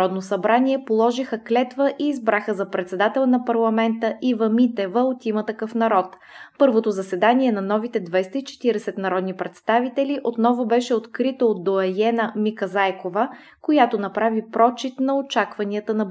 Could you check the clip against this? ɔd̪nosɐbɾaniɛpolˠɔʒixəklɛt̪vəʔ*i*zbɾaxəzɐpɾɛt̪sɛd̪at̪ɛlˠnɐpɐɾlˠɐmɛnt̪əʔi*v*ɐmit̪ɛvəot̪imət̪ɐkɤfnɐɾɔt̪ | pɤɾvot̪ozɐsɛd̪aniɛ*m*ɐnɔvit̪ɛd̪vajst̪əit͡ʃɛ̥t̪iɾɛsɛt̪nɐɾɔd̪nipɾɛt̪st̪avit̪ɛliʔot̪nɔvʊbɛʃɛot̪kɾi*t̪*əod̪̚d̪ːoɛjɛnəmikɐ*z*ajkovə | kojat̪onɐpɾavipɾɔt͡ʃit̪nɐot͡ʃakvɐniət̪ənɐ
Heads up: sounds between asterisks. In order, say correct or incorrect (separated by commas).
incorrect, correct, incorrect, correct, correct